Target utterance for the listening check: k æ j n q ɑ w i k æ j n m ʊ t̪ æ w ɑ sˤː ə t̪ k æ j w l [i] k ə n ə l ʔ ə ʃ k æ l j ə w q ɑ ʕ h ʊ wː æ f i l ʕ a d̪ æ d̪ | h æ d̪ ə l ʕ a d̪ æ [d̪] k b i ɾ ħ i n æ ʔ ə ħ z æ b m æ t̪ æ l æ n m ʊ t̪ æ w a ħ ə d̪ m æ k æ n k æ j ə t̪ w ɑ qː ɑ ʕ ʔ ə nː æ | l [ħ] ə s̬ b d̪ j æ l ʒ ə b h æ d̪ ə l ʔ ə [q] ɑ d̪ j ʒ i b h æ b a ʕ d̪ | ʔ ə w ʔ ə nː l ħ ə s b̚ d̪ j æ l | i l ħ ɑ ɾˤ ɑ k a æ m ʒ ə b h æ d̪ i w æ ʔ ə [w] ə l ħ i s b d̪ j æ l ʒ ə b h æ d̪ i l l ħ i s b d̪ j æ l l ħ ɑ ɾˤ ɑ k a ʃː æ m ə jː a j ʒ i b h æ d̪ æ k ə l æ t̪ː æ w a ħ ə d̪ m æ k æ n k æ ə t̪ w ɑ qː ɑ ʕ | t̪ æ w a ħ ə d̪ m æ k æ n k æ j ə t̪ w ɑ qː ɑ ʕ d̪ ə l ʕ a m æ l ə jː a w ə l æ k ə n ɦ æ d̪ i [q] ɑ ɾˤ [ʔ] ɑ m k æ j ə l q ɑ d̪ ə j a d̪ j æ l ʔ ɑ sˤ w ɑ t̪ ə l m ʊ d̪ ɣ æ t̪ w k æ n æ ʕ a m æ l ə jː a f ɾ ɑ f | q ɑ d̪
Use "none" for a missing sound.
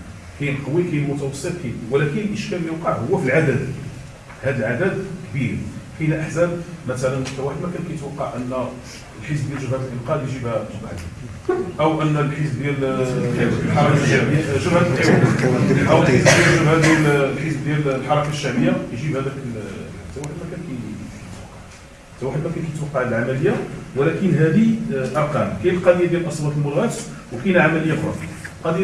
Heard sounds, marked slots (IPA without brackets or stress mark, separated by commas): æ, d̪, ħ, q, w, ʔ, q